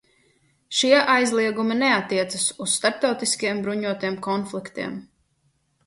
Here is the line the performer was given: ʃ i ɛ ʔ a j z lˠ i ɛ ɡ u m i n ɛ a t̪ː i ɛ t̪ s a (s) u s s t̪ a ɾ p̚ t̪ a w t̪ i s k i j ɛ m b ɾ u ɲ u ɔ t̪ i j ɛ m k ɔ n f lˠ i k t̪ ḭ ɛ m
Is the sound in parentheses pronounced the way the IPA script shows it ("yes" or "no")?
yes